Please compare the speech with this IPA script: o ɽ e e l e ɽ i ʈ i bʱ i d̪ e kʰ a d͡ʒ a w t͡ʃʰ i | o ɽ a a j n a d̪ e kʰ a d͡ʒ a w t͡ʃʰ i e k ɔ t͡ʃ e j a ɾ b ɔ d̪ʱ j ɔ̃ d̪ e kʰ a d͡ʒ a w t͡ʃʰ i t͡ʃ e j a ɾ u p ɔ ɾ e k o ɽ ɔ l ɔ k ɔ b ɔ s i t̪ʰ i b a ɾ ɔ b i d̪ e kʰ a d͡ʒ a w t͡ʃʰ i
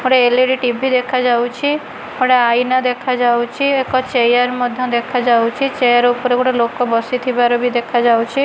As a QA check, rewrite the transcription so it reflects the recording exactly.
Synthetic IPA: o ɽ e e l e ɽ i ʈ i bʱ i d̪ e kʰ a d͡ʒ a w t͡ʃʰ i | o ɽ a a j n a d̪ e kʰ a d͡ʒ a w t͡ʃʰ i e k ɔ t͡ʃ e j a ɾ m ɔ d̪ʱ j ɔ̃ d̪ e kʰ a d͡ʒ a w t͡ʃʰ i t͡ʃ e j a ɾ u p ɔ ɾ e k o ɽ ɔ l o k ɔ b ɔ s i t̪ʰ i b a ɾ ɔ b i d̪ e kʰ a d͡ʒ a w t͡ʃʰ i